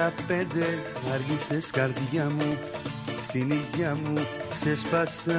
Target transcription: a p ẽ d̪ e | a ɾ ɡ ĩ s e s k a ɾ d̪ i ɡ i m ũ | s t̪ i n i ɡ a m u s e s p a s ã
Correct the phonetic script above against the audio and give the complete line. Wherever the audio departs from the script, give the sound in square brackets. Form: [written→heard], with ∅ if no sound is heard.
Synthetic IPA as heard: a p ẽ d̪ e | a ɾ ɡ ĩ s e s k a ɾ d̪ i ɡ [i→a] m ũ | s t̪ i n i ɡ a m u s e s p a s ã